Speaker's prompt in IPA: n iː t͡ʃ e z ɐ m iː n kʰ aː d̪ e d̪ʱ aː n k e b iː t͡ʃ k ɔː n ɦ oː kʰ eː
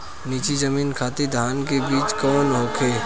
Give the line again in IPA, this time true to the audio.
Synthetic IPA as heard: n iː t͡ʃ i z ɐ m iː n kʰ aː t̪ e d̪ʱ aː n k e b iː t͡ʃ k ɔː n ɦ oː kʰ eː